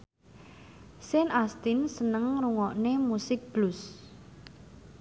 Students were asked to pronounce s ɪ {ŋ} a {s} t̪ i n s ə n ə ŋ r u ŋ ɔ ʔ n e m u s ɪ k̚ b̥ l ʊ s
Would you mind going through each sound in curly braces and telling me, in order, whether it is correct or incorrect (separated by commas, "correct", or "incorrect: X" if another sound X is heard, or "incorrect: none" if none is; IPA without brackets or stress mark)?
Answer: incorrect: n, correct